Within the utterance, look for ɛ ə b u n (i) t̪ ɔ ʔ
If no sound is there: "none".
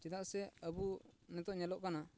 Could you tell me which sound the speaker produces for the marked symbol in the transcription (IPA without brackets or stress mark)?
ɛ